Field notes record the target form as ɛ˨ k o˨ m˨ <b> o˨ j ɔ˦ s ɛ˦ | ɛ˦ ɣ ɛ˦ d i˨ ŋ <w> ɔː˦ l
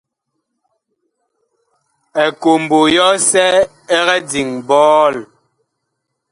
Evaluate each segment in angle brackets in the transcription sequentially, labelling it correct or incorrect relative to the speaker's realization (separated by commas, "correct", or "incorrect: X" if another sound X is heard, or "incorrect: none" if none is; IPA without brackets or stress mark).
correct, incorrect: b